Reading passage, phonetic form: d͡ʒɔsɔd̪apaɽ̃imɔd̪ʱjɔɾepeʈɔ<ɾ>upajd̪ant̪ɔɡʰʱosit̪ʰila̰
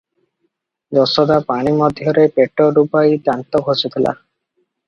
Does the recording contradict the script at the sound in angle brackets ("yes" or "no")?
no